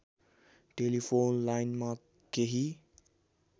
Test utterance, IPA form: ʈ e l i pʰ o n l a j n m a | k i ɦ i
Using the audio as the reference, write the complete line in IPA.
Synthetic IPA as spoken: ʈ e l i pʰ o n l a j n m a | k e ɦ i